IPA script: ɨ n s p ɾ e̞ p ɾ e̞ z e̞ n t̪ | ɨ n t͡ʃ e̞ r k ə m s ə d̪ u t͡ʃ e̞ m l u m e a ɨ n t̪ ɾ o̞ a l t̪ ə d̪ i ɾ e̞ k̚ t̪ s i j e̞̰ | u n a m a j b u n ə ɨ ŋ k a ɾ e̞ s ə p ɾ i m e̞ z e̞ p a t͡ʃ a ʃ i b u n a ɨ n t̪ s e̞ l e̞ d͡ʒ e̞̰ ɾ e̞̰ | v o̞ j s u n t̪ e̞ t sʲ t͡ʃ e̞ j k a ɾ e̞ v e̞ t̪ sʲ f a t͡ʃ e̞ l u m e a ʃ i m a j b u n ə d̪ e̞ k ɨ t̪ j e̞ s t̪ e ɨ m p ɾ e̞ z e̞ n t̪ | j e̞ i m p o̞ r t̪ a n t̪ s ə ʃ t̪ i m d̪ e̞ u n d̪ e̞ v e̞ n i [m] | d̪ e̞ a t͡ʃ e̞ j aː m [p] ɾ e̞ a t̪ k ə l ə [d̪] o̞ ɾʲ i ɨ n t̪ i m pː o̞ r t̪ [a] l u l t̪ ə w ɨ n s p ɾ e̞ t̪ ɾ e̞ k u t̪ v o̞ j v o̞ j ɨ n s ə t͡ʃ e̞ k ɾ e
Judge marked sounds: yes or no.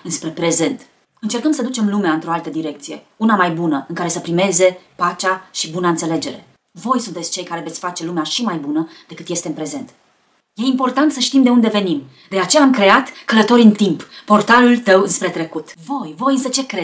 yes, no, no, yes

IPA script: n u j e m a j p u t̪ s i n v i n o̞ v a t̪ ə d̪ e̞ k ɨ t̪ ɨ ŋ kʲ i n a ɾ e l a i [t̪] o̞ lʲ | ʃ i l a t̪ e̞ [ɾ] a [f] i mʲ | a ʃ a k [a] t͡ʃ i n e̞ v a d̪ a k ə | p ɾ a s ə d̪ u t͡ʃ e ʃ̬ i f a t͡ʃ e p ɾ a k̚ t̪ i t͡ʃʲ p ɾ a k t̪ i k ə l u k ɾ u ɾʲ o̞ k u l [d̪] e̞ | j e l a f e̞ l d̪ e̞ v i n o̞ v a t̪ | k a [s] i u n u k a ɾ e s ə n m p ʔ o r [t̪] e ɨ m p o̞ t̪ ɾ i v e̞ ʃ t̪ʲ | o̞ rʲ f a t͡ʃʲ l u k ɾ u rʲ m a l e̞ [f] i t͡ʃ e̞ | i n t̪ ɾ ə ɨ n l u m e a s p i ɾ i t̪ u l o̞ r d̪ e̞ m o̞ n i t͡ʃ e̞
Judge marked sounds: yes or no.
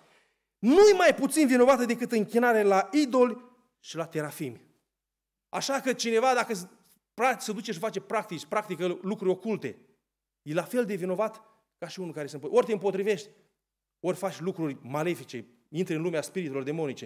no, yes, yes, no, no, no, yes, yes

